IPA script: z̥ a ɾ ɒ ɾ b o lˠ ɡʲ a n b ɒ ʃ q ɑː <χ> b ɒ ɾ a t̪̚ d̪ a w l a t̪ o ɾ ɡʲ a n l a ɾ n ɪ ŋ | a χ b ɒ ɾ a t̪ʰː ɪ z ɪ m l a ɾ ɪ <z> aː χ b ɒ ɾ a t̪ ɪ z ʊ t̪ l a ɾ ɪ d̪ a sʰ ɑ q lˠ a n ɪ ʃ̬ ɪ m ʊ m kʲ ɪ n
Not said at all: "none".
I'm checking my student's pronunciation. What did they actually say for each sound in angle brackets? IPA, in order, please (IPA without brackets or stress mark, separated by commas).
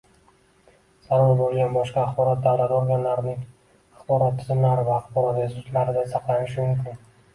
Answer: χ, v